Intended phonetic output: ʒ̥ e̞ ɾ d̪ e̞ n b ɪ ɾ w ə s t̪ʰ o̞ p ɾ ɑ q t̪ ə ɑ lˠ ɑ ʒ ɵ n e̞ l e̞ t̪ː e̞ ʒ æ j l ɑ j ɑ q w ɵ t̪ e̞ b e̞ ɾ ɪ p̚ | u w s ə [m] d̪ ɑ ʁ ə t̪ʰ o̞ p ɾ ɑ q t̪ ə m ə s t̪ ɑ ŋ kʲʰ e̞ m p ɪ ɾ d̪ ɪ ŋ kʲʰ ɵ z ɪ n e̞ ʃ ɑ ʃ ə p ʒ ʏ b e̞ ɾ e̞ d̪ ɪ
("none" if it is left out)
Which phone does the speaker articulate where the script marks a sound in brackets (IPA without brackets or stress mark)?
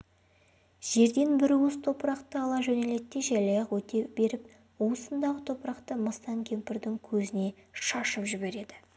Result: n